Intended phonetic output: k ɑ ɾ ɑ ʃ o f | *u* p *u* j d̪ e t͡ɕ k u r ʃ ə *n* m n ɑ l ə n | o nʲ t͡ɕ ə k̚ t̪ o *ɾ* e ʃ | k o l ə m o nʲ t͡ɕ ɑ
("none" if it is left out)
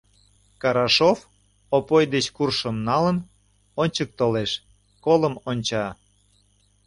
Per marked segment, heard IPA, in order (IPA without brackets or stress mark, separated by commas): o, o, none, l